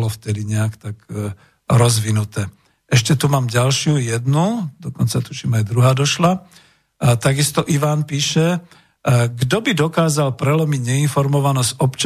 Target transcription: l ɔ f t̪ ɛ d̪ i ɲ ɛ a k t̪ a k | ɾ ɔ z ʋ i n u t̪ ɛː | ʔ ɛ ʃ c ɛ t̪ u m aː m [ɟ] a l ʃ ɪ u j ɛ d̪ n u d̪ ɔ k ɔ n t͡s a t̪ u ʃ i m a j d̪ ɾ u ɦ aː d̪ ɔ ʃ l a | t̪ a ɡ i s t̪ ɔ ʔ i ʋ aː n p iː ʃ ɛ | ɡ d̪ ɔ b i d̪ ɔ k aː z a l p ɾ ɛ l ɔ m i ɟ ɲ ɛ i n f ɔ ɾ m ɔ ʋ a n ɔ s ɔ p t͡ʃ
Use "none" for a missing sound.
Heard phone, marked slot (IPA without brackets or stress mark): ɟ